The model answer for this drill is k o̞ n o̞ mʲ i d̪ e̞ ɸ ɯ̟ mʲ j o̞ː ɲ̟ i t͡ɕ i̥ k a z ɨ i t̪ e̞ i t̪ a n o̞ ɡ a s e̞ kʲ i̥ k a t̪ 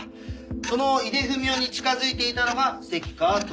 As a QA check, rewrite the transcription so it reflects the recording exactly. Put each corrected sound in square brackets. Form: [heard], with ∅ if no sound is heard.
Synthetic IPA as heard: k o̞ n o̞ [∅] i d̪ e̞ ɸ ɯ̟ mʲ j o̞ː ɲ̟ i t͡ɕ i̥ k a z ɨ i t̪ e̞ i t̪ a n o̞ ɡ a s e̞ kʲ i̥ k a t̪